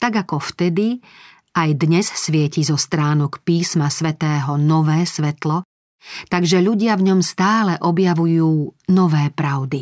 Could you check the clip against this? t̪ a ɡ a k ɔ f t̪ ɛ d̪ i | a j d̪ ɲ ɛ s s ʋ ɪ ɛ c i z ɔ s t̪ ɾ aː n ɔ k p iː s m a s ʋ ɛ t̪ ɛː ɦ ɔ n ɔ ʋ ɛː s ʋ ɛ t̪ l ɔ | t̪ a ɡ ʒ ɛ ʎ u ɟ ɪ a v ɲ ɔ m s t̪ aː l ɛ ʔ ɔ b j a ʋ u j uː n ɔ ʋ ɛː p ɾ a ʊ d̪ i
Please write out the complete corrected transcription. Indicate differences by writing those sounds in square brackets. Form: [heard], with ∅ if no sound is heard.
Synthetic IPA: t̪ a ɡ a k ɔ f t̪ ɛ d̪ i | a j d̪ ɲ ɛ s s ʋ ɪ ɛ c i z ɔ s t̪ ɾ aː n ɔ k p iː s m a s ʋ ɛ t̪ ɛː ɦ ɔ n ɔ ʋ ɛː s ʋ ɛ t̪ l ɔ | t̪ a ɡ ʒ ɛ ʎ u ɟ ɪ a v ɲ ɔ m s t̪ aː l ɛ ʔ ɔ b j a ʋ u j uː n ɔ ʋ ɛː p ɾ a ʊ d̪ i